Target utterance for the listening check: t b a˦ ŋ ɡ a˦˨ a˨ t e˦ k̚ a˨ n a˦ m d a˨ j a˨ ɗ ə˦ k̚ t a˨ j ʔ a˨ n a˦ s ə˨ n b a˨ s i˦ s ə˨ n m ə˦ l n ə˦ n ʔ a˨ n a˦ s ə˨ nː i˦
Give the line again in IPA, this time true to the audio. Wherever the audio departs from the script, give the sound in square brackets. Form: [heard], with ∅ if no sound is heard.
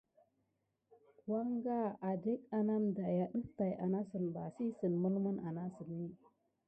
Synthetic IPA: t [w] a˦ ŋ ɡ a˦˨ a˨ [d] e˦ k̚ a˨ n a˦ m d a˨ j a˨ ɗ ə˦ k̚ t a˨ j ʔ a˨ n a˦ s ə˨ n b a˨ s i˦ s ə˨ n m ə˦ l [m] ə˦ n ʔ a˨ n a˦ s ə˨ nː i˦